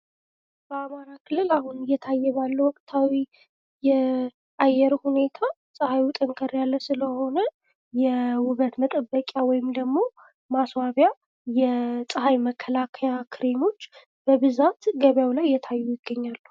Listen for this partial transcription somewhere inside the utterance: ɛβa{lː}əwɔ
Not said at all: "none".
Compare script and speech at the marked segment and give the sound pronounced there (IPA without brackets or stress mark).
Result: lː